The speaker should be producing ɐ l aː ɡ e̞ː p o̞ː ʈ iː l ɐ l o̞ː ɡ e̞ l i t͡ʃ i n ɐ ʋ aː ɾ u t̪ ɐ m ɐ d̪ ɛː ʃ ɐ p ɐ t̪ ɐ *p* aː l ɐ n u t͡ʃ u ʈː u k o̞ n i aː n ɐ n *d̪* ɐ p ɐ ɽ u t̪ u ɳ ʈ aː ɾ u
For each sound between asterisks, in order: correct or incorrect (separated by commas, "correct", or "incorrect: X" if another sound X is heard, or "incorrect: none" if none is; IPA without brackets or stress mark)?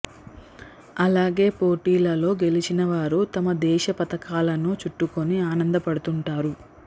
incorrect: k, correct